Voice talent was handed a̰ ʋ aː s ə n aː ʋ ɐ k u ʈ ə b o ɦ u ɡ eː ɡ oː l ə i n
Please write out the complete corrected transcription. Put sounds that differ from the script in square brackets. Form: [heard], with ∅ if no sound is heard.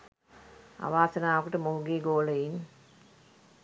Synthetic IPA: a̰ ʋ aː s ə n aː ʋ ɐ k u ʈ ə [m] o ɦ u ɡ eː ɡ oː l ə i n

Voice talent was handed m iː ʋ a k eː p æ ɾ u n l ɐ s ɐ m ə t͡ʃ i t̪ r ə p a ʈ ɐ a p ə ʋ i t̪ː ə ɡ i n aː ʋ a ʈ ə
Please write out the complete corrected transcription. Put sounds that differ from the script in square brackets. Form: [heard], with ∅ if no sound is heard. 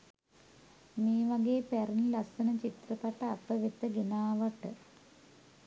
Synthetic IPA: m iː ʋ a [ɡ] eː p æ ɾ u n l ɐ s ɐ [n] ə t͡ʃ i t̪ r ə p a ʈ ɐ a p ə ʋ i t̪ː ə ɡ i n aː ʋ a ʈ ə

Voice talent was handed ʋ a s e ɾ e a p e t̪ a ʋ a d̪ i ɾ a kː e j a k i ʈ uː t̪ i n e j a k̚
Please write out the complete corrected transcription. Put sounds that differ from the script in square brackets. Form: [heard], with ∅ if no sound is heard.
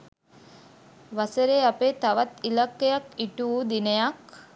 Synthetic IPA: ʋ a s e ɾ e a p e t̪ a ʋ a [t̪] i [l] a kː e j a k i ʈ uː [d̪] i n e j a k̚

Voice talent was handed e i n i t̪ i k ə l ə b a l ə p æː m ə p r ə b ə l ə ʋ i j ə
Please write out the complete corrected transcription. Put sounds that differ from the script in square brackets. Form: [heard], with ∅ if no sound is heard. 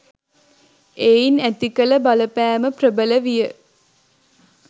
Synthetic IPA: e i n [æ] t̪ i k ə l ə b a l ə p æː m ə p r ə b ə l ə ʋ i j ə

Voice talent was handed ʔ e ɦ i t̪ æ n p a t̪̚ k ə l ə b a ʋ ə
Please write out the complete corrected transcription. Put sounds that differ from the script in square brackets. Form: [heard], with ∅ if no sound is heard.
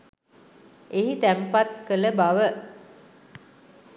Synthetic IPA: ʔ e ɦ i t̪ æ [m] p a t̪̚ k ə l ə b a ʋ ə

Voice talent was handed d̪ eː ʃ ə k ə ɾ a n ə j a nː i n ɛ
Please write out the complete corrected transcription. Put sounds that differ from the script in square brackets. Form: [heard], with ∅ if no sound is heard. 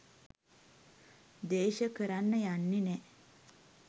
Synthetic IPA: d̪ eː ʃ ə k ə ɾ a [nː] ə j a nː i n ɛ

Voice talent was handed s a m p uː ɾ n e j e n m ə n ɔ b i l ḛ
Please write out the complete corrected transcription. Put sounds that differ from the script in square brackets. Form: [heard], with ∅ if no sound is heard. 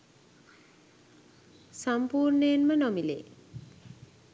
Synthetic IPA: s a m p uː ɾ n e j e n m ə n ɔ [m] i l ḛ

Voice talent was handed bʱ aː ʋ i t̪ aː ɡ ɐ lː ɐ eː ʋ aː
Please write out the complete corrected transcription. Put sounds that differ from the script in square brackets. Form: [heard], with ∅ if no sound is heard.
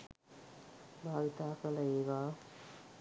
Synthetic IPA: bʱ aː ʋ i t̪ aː [k] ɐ [l] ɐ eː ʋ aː

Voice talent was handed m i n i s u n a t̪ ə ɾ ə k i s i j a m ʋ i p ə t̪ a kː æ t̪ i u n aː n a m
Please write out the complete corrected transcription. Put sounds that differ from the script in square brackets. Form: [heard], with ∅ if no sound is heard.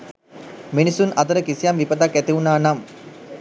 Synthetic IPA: m i n i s u n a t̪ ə ɾ ə k i s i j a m ʋ i p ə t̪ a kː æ t̪ i u n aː n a m

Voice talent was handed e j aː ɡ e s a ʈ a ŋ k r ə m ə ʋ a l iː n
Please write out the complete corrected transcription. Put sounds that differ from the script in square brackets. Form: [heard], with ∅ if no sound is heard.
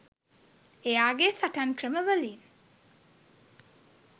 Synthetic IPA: e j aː ɡ e s a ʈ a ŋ k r ə m ə ʋ [ə] l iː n

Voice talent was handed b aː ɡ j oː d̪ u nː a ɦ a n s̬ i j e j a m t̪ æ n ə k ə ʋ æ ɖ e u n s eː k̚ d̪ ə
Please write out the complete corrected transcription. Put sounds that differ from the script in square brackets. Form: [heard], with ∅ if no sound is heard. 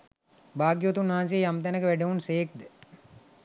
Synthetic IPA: b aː ɡ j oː [t̪] u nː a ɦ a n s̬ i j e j a m t̪ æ n ə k ə ʋ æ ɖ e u n s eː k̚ d̪ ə

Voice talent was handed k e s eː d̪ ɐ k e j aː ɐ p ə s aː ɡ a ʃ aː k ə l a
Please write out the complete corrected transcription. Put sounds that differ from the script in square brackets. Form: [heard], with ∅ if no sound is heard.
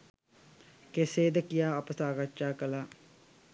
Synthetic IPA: k e s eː d̪ [ə] k [i] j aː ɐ p ə s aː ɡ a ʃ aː k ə l a

